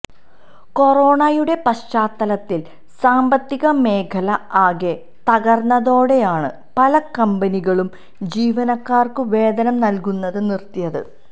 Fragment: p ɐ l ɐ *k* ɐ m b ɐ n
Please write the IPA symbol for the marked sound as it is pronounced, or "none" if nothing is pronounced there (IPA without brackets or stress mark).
k